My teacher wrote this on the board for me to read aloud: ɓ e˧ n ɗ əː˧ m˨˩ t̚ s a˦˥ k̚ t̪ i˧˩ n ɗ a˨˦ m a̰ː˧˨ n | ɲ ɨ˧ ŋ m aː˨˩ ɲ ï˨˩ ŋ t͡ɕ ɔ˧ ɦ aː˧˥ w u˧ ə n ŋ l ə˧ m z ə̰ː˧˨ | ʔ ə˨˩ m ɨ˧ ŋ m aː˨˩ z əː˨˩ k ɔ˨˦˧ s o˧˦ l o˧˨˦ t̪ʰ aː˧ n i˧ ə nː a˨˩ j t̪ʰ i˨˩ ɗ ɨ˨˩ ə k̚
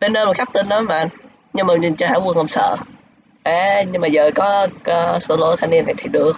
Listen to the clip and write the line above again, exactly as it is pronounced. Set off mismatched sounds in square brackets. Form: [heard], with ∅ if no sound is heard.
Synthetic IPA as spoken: ɓ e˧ n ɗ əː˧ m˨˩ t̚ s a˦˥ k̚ t̪ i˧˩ n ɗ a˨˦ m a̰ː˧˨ n | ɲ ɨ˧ ŋ m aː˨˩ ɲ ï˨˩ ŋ t͡ɕ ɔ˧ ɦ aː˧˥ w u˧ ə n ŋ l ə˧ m [s] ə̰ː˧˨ | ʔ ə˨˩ [ɲ] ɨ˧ ŋ m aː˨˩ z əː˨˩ k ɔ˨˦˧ s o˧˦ l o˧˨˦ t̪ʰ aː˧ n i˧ ə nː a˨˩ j t̪ʰ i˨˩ ɗ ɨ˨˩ ə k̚

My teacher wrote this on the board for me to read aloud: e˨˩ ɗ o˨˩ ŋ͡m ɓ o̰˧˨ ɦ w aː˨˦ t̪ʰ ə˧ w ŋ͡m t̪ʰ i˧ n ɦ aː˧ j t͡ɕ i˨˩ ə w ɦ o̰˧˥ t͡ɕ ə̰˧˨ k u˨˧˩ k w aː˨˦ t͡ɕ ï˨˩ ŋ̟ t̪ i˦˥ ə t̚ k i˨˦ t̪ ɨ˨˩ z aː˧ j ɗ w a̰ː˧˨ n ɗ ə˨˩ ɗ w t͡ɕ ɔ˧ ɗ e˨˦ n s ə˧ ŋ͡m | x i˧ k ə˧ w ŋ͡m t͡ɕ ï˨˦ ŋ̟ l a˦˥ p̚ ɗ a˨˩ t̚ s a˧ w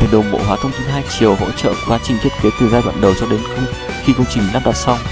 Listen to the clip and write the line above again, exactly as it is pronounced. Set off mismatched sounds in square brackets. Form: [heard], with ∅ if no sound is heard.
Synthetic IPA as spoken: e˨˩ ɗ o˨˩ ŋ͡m ɓ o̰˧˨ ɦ w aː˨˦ t̪ʰ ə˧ w ŋ͡m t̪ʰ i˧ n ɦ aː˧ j t͡ɕ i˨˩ ə w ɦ o̰˧˥ t͡ɕ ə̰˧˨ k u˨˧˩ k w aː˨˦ t͡ɕ ï˨˩ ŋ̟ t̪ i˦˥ ə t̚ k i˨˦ t̪ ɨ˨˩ z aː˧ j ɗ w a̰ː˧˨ n ɗ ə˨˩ [∅] w t͡ɕ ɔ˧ ɗ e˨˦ n [x] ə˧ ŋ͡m | x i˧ k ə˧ w ŋ͡m t͡ɕ [ï˨˩] ŋ̟ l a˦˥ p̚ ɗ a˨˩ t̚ s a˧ w

